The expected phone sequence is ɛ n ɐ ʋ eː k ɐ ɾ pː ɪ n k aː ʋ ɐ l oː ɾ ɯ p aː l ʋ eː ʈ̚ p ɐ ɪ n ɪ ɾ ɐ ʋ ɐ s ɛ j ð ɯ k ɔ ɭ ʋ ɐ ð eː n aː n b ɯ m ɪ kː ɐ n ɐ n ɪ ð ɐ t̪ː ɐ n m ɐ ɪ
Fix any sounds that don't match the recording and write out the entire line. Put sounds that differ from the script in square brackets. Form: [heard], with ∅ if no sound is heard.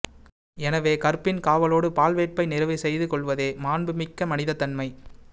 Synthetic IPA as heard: ɛ n ɐ ʋ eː k ɐ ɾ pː ɪ n k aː ʋ ɐ l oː [ɽ] ɯ p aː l ʋ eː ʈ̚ p ɐ ɪ n ɪ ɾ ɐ ʋ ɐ s ɛ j ð ɯ k ɔ ɭ ʋ ɐ ð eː [m] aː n b ɯ m ɪ kː ɐ [m] ɐ n ɪ ð ɐ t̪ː ɐ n m ɐ ɪ